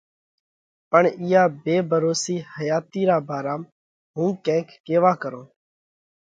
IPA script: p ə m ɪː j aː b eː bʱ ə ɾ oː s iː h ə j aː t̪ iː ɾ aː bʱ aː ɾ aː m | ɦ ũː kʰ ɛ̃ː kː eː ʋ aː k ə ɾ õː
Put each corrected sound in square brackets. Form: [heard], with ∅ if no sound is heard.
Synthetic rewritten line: p ə [ɳ] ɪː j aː b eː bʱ ə ɾ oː s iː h ə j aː t̪ iː ɾ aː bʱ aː ɾ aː m | ɦ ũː [k] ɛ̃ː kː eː ʋ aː k ə ɾ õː